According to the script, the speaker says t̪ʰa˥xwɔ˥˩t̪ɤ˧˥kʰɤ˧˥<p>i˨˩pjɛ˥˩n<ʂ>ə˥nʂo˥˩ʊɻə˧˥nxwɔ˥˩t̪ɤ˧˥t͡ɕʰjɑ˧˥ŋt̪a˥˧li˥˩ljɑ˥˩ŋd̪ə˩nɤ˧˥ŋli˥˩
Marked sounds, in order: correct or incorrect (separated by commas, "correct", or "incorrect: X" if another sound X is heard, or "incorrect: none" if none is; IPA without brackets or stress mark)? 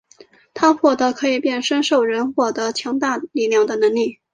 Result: incorrect: none, correct